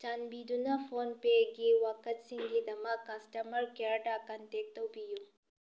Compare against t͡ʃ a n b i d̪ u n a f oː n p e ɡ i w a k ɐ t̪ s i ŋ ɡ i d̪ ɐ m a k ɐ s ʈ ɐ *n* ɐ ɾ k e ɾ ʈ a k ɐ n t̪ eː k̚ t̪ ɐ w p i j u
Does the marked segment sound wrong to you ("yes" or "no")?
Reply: yes